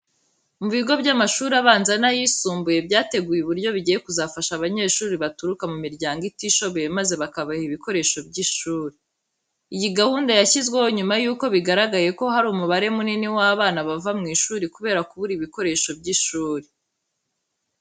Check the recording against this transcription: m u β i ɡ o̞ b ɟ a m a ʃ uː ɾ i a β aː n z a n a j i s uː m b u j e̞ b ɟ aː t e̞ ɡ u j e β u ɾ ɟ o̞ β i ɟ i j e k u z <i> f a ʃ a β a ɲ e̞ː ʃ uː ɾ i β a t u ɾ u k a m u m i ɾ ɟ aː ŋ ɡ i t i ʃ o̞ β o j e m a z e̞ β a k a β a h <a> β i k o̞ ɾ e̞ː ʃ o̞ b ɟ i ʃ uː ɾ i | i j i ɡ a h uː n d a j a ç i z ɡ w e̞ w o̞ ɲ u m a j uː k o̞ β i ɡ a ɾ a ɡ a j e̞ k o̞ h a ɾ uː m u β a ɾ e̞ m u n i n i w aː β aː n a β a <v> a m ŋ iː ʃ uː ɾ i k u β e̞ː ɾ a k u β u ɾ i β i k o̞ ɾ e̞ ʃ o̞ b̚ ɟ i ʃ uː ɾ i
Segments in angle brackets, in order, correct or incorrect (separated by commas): incorrect, incorrect, correct